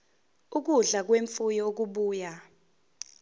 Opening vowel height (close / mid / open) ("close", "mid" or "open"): close